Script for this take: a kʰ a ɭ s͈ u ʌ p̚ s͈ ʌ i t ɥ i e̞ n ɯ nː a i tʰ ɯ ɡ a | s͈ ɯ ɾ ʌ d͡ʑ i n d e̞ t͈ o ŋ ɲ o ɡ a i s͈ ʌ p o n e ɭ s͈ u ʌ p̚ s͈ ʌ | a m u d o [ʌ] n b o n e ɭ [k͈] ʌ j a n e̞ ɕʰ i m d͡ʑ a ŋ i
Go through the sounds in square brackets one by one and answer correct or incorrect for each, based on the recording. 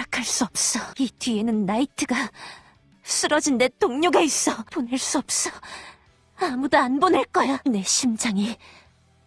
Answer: incorrect: a, correct

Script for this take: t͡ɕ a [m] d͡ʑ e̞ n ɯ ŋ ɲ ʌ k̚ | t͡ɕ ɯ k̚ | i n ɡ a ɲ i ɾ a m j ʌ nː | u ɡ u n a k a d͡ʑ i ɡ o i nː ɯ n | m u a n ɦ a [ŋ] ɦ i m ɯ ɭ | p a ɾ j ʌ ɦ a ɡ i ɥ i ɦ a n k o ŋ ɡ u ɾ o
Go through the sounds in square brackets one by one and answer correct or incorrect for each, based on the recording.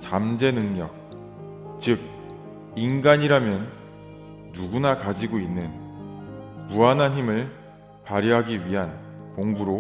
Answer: correct, incorrect: n

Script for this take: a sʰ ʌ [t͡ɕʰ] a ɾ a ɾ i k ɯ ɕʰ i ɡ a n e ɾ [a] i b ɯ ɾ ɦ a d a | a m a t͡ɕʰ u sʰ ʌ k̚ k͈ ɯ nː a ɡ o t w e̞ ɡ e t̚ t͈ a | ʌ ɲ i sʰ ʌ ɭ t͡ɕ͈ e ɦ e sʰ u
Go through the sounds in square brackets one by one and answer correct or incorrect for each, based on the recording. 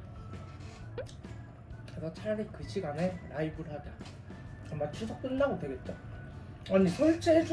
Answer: correct, correct

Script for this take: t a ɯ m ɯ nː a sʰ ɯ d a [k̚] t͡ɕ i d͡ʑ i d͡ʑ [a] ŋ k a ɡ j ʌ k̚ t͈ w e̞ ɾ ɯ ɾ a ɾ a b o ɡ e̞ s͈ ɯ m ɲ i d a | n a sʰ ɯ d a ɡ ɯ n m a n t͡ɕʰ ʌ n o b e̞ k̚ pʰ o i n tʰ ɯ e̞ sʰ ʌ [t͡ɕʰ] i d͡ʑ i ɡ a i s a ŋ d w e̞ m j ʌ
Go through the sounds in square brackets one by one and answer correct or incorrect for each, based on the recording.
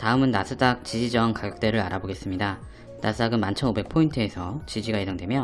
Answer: correct, incorrect: ʌ, incorrect: t͡ɕ

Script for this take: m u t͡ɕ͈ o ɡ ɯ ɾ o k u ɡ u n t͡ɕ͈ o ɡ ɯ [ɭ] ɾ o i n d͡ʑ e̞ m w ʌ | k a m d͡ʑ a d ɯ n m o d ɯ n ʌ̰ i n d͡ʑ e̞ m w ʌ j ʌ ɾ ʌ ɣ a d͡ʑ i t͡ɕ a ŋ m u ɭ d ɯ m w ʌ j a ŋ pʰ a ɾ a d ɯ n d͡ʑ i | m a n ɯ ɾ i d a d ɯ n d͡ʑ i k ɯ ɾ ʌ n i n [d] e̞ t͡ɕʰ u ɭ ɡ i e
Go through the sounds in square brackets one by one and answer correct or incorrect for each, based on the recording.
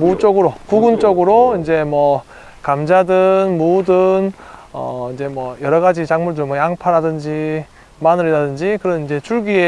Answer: incorrect: none, incorrect: d͡ʑ

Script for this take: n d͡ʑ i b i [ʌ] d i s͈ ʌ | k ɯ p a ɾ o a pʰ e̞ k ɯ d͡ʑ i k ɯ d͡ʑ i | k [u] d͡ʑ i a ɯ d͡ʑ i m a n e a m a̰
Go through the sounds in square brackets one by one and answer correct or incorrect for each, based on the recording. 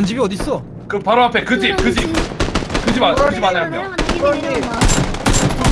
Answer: correct, incorrect: ɯ

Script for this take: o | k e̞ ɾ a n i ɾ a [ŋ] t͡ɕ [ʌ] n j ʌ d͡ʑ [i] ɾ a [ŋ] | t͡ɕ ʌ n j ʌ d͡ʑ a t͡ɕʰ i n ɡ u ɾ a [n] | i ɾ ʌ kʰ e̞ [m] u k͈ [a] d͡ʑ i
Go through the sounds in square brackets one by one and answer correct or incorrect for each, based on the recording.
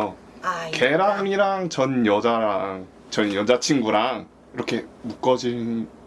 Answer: correct, correct, incorrect: a, correct, incorrect: ŋ, correct, incorrect: ʌ

